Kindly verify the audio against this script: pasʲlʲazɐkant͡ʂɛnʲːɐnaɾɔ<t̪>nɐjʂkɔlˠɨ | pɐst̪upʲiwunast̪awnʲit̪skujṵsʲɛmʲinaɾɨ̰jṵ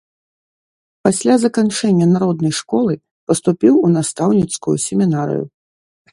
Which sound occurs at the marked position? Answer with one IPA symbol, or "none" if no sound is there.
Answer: d̪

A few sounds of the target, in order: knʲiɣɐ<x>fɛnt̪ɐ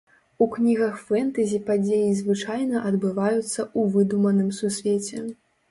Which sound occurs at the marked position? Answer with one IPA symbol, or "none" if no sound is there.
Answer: x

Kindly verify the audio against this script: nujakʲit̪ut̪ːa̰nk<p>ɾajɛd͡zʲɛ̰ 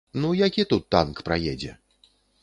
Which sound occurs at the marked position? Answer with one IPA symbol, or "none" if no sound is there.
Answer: p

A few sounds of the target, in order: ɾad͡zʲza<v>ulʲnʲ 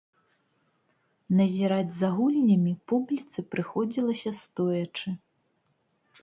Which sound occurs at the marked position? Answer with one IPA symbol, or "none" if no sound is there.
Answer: ɣ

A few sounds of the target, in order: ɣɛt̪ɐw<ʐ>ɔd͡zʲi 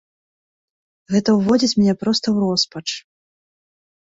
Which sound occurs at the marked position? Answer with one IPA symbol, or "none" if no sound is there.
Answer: v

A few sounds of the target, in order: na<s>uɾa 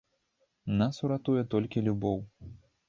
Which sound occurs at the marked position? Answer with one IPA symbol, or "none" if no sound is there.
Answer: s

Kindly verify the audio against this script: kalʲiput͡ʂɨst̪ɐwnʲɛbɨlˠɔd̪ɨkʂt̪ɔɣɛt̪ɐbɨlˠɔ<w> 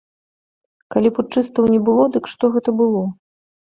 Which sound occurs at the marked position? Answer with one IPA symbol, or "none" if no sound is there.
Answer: none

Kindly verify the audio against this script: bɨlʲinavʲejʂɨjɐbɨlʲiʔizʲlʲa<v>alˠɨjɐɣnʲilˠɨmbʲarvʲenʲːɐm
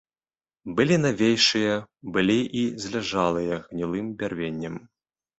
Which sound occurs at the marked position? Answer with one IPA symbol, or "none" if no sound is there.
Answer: ʐ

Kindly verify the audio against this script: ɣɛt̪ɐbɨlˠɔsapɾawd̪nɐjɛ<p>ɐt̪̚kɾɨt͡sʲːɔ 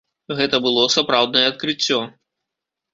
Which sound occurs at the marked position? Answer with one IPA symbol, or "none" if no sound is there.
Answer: none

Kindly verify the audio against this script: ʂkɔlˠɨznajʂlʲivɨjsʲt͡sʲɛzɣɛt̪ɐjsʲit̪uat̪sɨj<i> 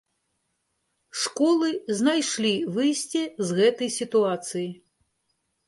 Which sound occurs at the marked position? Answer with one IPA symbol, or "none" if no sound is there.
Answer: i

